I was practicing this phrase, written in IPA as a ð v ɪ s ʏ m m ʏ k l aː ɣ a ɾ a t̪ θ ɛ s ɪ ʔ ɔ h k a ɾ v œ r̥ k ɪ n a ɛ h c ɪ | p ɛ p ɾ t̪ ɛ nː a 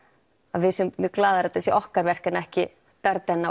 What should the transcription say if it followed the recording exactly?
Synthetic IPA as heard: a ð v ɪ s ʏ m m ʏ k l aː ð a ɾ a t̪ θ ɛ s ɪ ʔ ɔ h k a ɾ v ɛ r̥ k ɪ n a ɛ h c ɪ | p ɛ ɾ t̪ ɛ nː a